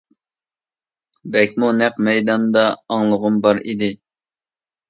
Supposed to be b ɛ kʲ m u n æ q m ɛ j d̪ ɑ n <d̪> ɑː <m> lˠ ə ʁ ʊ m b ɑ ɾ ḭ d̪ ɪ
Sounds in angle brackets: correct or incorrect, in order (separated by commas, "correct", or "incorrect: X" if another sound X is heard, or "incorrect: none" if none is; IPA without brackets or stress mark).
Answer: correct, incorrect: ŋ